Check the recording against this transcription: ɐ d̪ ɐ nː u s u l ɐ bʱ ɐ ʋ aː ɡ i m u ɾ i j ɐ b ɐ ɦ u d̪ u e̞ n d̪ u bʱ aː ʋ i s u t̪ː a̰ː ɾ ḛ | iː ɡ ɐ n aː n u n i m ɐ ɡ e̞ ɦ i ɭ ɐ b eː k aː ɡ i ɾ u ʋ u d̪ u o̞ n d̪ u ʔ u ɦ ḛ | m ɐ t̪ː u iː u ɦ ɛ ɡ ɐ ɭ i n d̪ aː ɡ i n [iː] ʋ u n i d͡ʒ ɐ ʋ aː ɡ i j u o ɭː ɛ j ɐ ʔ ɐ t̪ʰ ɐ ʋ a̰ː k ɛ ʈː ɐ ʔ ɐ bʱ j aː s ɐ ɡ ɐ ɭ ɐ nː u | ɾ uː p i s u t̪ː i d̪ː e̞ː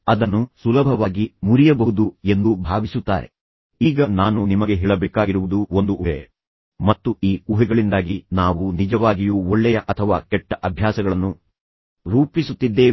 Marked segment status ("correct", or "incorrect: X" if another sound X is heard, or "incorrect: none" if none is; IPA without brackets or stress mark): incorrect: aː